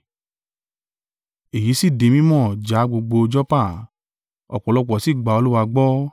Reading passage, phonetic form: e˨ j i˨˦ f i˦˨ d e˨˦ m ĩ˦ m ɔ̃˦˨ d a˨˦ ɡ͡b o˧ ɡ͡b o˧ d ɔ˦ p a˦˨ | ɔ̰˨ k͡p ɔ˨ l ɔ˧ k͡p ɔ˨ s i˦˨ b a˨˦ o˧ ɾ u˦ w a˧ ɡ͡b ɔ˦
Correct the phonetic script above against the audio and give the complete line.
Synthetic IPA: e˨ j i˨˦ s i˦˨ d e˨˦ m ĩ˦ m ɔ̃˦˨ d͡ʒ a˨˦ ɡ͡b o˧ ɡ͡b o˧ d͡ʒ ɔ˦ p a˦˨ | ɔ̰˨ k͡p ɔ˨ l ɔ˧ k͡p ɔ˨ s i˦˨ ɡ͡b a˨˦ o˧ l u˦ w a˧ ɡ͡b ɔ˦